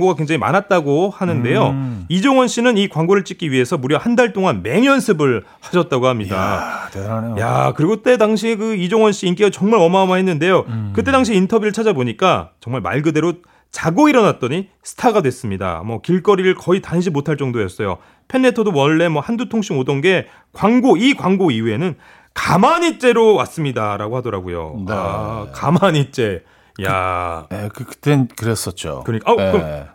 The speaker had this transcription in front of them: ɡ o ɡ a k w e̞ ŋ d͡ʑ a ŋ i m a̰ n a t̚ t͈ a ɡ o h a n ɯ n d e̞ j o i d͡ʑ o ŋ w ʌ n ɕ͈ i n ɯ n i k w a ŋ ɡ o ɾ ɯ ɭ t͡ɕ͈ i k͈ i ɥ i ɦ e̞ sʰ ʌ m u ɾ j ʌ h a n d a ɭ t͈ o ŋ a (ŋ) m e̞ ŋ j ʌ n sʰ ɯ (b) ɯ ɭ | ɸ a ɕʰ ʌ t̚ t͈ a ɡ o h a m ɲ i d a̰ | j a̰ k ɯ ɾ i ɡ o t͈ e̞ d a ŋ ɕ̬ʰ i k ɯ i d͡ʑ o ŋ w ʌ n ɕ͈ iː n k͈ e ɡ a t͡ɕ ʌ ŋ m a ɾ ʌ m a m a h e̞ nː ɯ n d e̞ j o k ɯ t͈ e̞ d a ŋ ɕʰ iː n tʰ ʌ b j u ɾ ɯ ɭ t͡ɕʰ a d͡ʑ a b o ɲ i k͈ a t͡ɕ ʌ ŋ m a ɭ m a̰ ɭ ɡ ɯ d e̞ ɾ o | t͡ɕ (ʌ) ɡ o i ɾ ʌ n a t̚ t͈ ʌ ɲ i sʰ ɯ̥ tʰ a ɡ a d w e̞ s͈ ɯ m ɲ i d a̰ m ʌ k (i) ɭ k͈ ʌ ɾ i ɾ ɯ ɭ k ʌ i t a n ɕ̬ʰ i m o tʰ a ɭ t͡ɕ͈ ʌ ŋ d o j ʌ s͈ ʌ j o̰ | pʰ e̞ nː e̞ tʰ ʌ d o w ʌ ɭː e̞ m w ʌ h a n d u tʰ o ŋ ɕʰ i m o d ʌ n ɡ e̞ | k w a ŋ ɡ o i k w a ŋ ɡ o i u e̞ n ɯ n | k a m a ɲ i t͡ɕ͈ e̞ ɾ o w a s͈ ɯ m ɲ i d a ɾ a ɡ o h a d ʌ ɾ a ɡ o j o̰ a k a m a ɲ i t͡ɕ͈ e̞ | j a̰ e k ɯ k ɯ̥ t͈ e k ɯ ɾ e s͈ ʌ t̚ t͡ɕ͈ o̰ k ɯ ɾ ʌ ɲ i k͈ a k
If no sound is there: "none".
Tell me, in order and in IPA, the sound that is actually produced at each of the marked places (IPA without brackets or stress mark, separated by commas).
n, b, a, i